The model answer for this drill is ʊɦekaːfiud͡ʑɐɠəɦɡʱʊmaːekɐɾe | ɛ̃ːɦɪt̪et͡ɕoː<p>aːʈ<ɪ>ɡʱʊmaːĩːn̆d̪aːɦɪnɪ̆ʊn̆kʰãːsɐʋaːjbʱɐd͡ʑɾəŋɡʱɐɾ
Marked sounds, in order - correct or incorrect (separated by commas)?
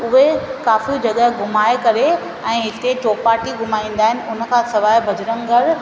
correct, incorrect